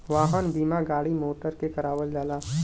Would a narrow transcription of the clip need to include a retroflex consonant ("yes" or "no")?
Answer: yes